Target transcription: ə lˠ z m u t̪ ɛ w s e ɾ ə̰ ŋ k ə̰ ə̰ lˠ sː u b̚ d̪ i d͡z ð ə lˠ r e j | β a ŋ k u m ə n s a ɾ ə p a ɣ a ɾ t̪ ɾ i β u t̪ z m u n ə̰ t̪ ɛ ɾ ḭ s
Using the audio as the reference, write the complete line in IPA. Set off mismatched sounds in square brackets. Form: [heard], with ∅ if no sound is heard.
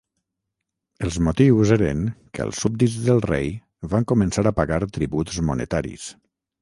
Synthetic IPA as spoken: ə lˠ z m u t̪ [i] w [z] e ɾ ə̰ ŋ k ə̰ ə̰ lˠ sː u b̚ d̪ i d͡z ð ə lˠ r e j | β a ŋ k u m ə n s a ɾ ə p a ɣ a ɾ t̪ ɾ i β u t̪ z m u n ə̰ t̪ [a] ɾ ḭ s